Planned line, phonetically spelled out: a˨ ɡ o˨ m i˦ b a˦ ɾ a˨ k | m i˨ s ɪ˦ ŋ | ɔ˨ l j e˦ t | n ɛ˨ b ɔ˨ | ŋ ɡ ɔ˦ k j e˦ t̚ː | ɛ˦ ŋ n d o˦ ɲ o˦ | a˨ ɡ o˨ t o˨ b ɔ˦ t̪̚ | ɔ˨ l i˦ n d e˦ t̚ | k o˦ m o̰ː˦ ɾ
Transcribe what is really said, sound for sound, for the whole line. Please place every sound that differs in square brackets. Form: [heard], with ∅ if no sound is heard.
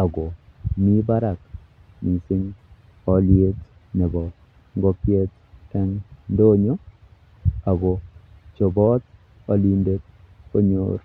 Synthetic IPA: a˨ ɡ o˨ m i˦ b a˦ ɾ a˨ k | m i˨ s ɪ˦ ŋ | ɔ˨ l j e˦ t | n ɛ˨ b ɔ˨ | ŋ ɡ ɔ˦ k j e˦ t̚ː | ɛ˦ ŋ n d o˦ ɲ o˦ | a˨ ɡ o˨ [t͡ʃ] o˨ b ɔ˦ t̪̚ | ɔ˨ l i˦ n d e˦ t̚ | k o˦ [ɲ] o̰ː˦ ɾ